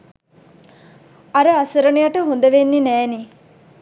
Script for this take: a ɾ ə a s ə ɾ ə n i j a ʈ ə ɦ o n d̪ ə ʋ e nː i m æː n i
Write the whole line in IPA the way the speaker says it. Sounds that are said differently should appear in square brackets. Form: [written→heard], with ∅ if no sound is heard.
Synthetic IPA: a ɾ ə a s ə ɾ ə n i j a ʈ ə ɦ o n d̪ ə ʋ e nː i [m→n] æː n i